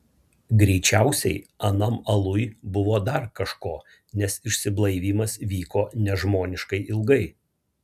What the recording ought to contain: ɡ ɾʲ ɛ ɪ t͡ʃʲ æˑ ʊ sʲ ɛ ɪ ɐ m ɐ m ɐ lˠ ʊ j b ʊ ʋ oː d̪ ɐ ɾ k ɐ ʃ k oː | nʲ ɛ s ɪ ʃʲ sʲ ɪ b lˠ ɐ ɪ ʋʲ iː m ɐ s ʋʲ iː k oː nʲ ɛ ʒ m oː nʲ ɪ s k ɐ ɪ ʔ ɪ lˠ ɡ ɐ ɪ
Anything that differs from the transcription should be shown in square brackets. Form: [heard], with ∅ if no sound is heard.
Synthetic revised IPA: ɡ ɾʲ ɛ ɪ t͡ʃʲ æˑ ʊ sʲ ɛ ɪ ɐ [n] ɐ m ɐ lˠ ʊ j b ʊ ʋ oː d̪ ɐ ɾ k ɐ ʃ k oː | nʲ ɛ s ɪ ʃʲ sʲ ɪ b lˠ ɐ ɪ ʋʲ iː m ɐ s ʋʲ iː k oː nʲ ɛ ʒ m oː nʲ ɪ [ʃ] k ɐ ɪ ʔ ɪ lˠ ɡ ɐ ɪ

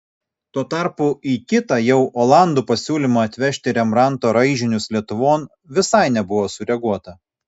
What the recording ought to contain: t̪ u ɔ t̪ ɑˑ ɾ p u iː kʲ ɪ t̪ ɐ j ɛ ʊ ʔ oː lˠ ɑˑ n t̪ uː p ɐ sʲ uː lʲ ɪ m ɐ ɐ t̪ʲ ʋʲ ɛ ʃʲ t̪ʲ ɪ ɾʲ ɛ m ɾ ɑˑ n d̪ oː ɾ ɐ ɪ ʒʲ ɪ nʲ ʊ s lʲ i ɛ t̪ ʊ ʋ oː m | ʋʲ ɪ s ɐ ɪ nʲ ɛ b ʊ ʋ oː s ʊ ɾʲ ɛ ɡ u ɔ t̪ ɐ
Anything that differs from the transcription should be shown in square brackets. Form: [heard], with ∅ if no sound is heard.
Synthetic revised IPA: t̪ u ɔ t̪ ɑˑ ɾ p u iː kʲ ɪ t̪ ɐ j ɛ ʊ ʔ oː lˠ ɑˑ n [d̪] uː p ɐ sʲ uː lʲ ɪ m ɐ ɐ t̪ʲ ʋʲ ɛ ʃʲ t̪ʲ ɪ ɾʲ ɛ m ɾ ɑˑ n [t̪] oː ɾ ɐ ɪ ʒʲ ɪ nʲ ʊ s lʲ i ɛ t̪ ʊ ʋ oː [n] | ʋʲ ɪ s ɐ ɪ nʲ ɛ b ʊ ʋ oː s ʊ ɾʲ ɛ ɡ u ɔ t̪ ɐ

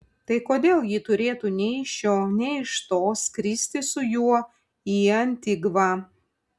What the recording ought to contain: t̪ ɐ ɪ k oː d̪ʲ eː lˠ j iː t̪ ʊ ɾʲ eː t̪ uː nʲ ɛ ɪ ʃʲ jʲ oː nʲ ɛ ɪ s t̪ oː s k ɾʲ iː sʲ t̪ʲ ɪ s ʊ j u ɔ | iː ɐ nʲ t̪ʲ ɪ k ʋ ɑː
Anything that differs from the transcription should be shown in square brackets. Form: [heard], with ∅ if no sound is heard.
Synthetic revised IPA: t̪ ɐ ɪ k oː d̪ʲ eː lˠ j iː t̪ ʊ ɾʲ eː t̪ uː nʲ ɛ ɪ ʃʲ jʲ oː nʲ ɛ ɪ [ʃ] t̪ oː s k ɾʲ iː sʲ t̪ʲ ɪ s ʊ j u ɔ | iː ɐ nʲ t̪ʲ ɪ [ɡ] ʋ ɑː

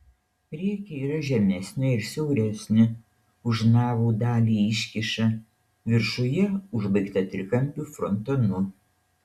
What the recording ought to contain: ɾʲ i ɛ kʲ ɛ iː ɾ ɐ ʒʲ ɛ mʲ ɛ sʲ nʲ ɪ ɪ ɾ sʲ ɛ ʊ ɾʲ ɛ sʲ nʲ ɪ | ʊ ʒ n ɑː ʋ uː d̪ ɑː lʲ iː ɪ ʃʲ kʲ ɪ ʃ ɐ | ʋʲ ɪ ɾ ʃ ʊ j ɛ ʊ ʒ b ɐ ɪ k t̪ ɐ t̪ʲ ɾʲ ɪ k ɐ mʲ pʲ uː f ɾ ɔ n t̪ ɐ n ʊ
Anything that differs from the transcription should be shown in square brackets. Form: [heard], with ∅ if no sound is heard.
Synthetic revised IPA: ɾʲ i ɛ kʲ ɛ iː ɾ ɐ ʒʲ ɛ mʲ ɛ sʲ nʲ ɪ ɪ ɾ sʲ ɛ ʊ ɾʲ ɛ sʲ nʲ ɪ | ʊ ʒ n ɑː ʋ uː d̪ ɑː lʲ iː ɪ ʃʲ kʲ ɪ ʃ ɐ | ʋʲ ɪ ɾ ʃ ʊ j ɛ ʊ ʒ b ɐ ɪ k t̪ ɐ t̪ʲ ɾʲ ɪ k ɐ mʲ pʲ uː f ɾ ɔ n t̪ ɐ n ʊ

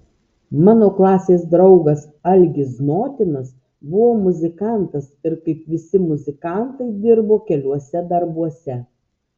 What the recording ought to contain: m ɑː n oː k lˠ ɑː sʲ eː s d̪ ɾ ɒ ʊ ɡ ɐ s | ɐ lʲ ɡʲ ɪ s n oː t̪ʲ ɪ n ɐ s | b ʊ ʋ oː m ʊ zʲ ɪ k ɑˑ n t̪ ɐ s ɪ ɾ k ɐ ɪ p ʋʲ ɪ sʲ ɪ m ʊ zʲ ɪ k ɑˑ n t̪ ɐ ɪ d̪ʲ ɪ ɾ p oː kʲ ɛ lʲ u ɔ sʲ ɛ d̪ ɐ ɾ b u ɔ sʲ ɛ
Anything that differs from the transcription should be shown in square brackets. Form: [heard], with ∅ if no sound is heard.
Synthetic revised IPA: m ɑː n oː k lˠ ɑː sʲ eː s d̪ ɾ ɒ ʊ ɡ ɐ s | ɐ lʲ ɡʲ ɪ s n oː t̪ʲ ɪ n ɐ s | b ʊ ʋ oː m ʊ zʲ ɪ k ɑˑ n t̪ ɐ s ɪ ɾ k ɐ ɪ p ʋʲ ɪ sʲ ɪ m ʊ zʲ ɪ k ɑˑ n t̪ ɐ ɪ d̪ʲ ɪ ɾ [b] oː kʲ ɛ lʲ u ɔ sʲ ɛ d̪ ɐ ɾ b u ɔ sʲ ɛ

